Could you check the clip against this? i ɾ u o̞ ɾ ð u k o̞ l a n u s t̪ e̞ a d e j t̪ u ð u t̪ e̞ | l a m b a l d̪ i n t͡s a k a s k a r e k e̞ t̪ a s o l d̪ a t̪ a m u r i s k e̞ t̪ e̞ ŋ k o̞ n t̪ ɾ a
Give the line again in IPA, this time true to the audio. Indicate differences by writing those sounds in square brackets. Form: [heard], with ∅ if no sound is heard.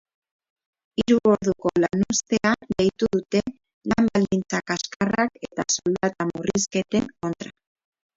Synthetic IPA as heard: i ɾ u o̞ ɾ ð u k o̞ l a n u s t̪ e̞ a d e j t̪ u ð u t̪ e̞ | l a m b a l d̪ i n t͡s a k a s k a r [a] k e̞ t̪ a s o l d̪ a t̪ a m u r i s k e̞ t̪ e̞ ŋ k o̞ n t̪ ɾ a